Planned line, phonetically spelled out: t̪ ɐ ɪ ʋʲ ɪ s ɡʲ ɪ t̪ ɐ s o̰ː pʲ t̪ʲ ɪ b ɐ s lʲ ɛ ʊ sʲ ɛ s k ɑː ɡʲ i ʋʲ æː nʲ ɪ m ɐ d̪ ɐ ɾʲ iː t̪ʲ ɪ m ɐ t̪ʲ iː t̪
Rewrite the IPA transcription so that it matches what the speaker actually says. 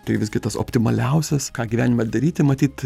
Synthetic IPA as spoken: t̪ ɐ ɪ ʋʲ ɪ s ɡʲ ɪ t̪ ɐ s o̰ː pʲ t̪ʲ ɪ m ɐ lʲ ɛ ʊ sʲ ɛ s k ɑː ɡʲ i ʋʲ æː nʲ ɪ m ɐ d̪ ɐ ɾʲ iː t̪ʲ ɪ m ɐ t̪ʲ iː t̪